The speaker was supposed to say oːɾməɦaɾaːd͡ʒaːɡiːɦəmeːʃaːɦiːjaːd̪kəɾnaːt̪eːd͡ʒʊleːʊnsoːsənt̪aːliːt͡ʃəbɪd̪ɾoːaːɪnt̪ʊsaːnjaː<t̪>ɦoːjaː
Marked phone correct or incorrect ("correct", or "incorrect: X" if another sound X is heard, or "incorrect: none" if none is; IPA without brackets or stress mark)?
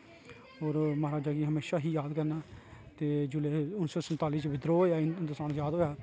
incorrect: d̪